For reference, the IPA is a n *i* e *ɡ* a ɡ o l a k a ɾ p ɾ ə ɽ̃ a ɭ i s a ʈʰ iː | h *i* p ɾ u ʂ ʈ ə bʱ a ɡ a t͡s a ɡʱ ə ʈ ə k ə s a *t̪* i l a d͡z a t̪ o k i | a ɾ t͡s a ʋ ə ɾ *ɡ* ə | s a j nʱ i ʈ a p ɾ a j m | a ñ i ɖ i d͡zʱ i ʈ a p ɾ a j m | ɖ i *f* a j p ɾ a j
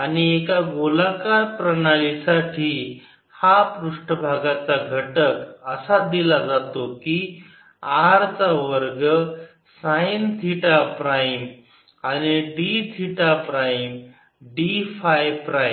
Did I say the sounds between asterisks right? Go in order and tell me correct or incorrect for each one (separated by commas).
correct, incorrect, incorrect, incorrect, correct, correct